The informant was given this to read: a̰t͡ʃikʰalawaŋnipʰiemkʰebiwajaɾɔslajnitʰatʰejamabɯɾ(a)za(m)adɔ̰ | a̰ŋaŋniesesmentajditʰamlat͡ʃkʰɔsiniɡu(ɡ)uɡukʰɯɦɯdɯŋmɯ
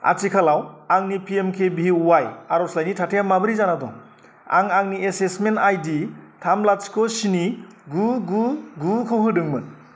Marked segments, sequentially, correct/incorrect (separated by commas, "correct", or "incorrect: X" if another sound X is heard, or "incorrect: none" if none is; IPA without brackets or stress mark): incorrect: i, incorrect: n, correct